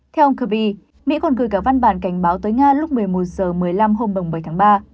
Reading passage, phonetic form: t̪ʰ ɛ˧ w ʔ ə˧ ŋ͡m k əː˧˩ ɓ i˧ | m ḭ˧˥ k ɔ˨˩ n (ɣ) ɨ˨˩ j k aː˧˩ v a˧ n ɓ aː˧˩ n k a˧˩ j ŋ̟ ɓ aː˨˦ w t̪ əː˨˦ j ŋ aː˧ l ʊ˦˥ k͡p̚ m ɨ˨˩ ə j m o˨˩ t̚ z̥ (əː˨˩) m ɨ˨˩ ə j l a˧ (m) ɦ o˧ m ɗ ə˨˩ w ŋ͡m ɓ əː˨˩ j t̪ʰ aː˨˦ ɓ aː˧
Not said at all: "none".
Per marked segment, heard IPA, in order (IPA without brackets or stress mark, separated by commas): ɣ, əː˨˩, m